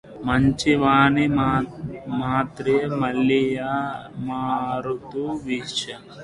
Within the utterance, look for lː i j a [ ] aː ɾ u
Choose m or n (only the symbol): m